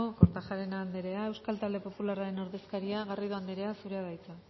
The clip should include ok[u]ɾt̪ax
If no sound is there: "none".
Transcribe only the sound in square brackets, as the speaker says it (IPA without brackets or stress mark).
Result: o